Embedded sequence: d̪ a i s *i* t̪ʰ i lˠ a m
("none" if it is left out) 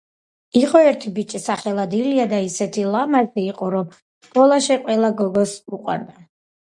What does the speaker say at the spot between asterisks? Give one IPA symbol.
ɛ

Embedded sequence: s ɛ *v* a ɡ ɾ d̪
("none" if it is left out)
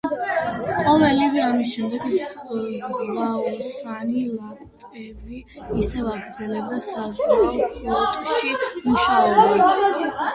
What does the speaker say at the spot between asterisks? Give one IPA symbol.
v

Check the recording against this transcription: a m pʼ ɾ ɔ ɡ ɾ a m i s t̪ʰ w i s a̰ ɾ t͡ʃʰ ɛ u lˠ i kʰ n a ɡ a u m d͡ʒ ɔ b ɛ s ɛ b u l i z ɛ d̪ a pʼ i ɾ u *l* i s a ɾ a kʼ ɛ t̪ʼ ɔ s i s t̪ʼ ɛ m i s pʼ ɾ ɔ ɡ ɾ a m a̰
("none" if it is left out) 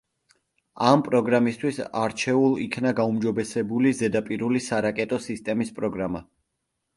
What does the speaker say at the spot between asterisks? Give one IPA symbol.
l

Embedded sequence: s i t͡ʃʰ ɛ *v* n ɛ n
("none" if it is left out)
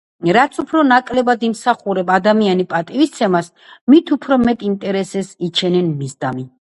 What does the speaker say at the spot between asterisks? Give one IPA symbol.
none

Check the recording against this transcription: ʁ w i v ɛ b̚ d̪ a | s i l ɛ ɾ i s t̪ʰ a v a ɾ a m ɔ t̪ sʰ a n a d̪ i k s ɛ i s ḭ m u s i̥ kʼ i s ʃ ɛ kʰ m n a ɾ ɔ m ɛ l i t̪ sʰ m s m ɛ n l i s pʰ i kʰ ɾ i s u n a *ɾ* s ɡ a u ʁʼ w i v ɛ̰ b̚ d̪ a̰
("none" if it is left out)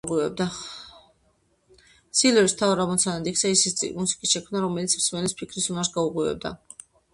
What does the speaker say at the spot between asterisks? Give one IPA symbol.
ɾ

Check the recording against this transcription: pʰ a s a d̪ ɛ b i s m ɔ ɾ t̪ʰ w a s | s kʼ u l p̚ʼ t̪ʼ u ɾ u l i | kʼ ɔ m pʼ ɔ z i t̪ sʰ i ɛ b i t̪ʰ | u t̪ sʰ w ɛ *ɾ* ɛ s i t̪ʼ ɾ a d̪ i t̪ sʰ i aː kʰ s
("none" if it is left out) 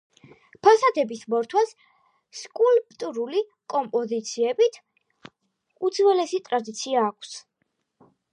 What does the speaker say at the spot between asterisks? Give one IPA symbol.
l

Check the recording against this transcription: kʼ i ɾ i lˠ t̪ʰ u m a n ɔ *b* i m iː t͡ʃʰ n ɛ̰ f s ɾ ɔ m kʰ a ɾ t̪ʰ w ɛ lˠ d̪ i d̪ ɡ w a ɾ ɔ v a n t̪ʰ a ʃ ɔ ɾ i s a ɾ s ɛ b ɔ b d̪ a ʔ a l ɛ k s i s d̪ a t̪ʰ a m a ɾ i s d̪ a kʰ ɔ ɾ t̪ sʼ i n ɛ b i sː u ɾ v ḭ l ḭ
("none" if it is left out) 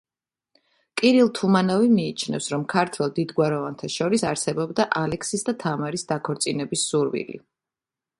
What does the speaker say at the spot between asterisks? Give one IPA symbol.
v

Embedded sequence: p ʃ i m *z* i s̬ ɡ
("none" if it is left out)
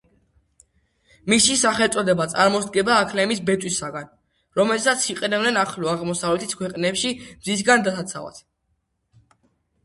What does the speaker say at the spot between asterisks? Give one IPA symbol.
z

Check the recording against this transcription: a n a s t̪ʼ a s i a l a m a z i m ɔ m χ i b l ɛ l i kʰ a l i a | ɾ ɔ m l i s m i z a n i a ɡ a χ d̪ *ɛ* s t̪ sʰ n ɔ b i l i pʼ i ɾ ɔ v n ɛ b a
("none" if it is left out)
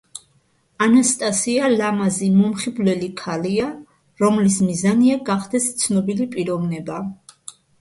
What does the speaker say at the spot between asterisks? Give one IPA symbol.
ɛ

